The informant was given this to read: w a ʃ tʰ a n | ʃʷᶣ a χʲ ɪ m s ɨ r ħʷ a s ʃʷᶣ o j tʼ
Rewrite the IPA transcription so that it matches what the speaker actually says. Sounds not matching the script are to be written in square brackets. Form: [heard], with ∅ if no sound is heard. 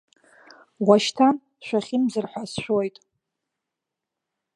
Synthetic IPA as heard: w a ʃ tʰ a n | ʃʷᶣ a χʲ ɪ m [z] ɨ r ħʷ a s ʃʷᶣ o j tʼ